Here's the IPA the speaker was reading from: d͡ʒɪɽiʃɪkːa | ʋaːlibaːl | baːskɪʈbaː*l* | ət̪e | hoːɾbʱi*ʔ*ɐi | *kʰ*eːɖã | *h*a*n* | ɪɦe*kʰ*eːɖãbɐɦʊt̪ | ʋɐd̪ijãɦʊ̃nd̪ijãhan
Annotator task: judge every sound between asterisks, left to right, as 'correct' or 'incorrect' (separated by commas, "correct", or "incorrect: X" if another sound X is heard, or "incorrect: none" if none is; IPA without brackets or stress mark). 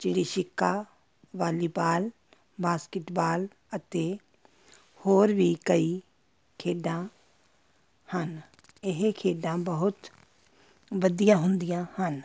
correct, incorrect: k, correct, correct, correct, correct